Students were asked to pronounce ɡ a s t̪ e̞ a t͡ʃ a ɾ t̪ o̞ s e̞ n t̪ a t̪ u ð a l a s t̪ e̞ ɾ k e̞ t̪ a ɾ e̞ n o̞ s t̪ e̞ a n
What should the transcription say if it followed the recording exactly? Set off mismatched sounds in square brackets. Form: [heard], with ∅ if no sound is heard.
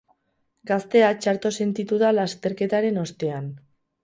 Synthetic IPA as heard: ɡ a s t̪ e̞ a t͡ʃ a ɾ t̪ o̞ s e̞ n t̪ [i] t̪ u ð a l a s t̪ e̞ ɾ k e̞ t̪ a ɾ e̞ n o̞ s t̪ e̞ a n

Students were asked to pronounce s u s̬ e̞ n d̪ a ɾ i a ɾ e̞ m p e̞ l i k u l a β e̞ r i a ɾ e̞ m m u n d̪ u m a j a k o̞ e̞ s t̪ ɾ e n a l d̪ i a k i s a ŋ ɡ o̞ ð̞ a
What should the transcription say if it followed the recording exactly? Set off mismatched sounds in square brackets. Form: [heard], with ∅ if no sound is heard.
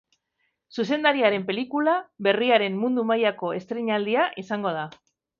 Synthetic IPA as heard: s u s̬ e̞ n d̪ a ɾ i a ɾ e̞ m p e̞ l i k u l a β e̞ r i a ɾ e̞ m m u n d̪ u m a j a k o̞ e̞ s t̪ ɾ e [ɲ] a l d̪ i a [ʔ] i s a ŋ ɡ o̞ ð̞ a

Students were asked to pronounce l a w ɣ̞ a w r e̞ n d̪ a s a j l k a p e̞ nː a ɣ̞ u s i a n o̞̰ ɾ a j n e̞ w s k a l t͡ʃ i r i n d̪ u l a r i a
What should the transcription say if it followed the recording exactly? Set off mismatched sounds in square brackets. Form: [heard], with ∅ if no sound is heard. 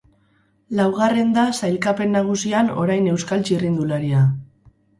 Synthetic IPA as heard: l a w ɣ̞ a [∅] r e̞ n d̪ a s a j l k a p e̞ nː a ɣ̞ u s i a n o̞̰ ɾ a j n e̞ w s k a l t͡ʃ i r i n d̪ u l a [ɾ] i a

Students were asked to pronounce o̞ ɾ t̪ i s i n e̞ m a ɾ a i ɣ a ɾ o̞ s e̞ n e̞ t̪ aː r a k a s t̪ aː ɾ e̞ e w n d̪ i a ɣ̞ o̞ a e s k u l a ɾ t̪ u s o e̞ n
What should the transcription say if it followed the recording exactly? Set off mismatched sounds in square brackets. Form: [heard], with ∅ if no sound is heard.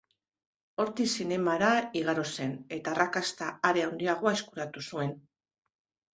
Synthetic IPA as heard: o̞ ɾ t̪ i s i n e̞ m a ɾ a i ɣ a ɾ o̞ s e̞ n e̞ t̪ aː r a k a s t̪ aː ɾ e̞ [a] w n d̪ i a ɣ̞ o̞ a e s k u [ɾ] a [∅] t̪ u s [u] e̞ n

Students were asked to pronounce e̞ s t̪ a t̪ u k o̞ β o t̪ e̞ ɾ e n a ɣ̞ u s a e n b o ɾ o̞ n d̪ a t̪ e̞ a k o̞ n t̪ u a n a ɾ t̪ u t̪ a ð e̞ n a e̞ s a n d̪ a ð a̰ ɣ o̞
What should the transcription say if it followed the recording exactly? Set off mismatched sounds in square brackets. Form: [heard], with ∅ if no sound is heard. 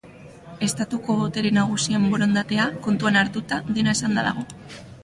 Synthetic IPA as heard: e̞ s t̪ a t̪ u k o̞ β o t̪ e̞ ɾ e n a ɣ̞ u s [i] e [m] b o ɾ o̞ n d̪ a t̪ e̞ a k o̞ n t̪ u a n a ɾ t̪ u t̪ a ð e̞ n a e̞ s a n d̪ a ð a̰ ɣ o̞

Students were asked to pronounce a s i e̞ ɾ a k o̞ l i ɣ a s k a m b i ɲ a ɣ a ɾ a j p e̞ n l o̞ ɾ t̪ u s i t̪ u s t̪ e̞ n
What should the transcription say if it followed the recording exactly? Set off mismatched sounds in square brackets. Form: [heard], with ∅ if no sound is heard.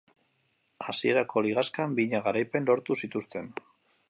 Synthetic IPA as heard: a s i e̞ ɾ a k o̞ l i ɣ a s k a m b i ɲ a ɣ a ɾ a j p e̞ n l o̞ ɾ t̪ u s i t̪ u s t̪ e̞ n

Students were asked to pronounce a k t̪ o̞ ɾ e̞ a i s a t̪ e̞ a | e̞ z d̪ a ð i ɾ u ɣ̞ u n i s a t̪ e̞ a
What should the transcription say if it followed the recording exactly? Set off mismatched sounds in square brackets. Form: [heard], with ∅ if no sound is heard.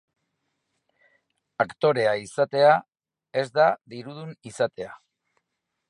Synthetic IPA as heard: a k t̪ o̞ ɾ e̞ a i s a t̪ e̞ a | e̞ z d̪ a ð i ɾ u [ð̞] u n i s a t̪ e̞ a

